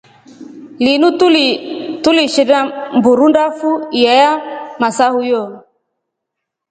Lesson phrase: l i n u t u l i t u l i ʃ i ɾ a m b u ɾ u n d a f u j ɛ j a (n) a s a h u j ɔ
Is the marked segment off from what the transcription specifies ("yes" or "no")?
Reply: yes